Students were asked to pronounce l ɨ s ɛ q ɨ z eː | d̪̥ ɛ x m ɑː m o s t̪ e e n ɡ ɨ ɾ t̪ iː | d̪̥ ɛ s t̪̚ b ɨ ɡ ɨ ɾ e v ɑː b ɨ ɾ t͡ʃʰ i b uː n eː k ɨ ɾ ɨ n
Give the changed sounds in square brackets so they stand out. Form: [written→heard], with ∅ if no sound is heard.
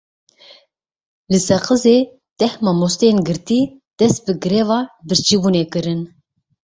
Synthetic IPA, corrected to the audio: l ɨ s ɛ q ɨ z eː | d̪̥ ɛ [x→h] m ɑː m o s t̪ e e n ɡ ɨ ɾ t̪ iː | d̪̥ ɛ s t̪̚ b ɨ ɡ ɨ ɾ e v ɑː b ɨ ɾ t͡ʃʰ i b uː n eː k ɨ ɾ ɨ n

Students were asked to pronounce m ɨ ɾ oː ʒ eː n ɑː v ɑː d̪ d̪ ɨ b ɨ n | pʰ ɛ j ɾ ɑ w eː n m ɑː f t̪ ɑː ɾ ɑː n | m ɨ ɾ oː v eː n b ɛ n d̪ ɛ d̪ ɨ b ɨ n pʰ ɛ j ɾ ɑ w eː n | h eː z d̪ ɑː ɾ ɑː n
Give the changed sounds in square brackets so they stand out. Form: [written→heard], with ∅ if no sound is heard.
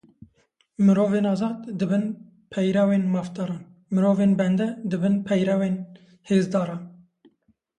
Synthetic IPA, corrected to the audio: m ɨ ɾ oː [ʒ→v] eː n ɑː [v→z] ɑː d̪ d̪ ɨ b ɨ n | pʰ ɛ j ɾ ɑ w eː n m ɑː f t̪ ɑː ɾ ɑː n | m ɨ ɾ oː v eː n b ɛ n d̪ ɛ d̪ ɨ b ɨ n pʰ ɛ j ɾ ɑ w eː n | h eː z d̪ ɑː ɾ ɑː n

